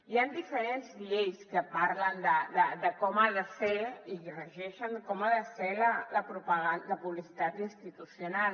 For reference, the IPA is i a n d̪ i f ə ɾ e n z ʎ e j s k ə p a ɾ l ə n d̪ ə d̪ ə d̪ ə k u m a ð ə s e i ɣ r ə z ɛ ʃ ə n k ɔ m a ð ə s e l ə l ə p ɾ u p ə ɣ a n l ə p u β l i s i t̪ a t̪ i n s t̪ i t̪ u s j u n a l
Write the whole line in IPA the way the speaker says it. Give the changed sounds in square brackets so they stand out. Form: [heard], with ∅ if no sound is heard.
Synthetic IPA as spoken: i a n d̪ i f ə ɾ e n z ʎ e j s k ə p a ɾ l ə n d̪ ə d̪ ə d̪ ə k [ɔ] m a ð ə s e i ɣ r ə [ʒ] ɛ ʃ ə n k ɔ m a ð ə s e l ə l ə p ɾ u p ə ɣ a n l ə p u β l i s i t̪ a t̪ i n s t̪ i t̪ u s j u n a l